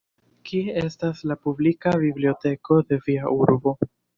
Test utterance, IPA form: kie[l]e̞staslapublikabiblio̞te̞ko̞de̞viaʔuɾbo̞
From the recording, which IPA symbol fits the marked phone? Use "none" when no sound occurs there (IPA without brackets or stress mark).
none